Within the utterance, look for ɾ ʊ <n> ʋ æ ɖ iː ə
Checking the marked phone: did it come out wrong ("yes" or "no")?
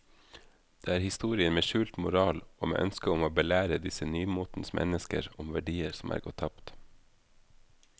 yes